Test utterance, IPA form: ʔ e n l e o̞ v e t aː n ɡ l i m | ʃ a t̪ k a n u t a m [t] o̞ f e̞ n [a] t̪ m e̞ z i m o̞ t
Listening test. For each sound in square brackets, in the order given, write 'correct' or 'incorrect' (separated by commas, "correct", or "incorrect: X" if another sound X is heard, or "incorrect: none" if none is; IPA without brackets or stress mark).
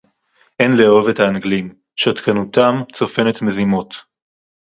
incorrect: t͡s, incorrect: e